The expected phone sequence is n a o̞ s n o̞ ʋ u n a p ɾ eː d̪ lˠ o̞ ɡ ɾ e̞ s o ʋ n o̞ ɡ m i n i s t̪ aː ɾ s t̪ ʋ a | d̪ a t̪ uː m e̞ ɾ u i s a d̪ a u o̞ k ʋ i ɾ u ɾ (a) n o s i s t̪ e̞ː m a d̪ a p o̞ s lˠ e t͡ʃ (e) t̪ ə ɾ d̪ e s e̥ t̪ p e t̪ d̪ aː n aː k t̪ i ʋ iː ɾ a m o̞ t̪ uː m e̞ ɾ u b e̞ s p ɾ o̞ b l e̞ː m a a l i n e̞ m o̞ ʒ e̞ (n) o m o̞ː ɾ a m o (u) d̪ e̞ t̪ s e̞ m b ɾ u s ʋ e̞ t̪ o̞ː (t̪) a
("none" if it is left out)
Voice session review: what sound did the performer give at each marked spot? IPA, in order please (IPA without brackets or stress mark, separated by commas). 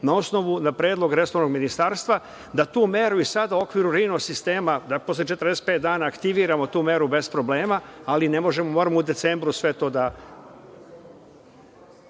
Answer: i, e, m, u, d̪